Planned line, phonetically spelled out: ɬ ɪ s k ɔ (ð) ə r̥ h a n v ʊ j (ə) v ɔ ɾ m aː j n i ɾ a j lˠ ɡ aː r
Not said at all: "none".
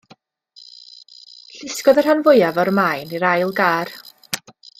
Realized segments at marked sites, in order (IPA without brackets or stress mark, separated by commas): ð, a